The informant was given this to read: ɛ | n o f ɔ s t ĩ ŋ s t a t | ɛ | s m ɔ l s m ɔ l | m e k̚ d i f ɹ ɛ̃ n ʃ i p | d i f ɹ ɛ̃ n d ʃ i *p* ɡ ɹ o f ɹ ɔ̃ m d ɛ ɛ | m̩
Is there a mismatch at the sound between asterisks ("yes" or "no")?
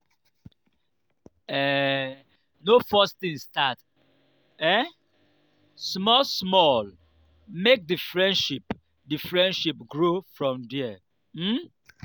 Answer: no